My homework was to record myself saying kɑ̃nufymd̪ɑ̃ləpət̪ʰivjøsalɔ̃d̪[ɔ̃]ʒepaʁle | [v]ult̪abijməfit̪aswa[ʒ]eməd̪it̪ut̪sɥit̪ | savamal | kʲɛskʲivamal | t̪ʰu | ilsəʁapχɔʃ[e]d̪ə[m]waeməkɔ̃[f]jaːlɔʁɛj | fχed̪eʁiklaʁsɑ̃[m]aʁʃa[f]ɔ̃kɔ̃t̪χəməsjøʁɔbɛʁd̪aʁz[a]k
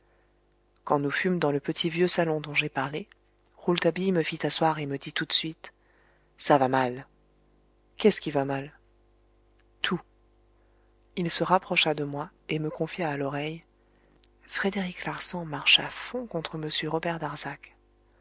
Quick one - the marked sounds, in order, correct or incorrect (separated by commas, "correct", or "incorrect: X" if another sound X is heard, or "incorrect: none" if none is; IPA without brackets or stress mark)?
correct, incorrect: ʁ, incorrect: ʁ, incorrect: a, correct, correct, correct, correct, correct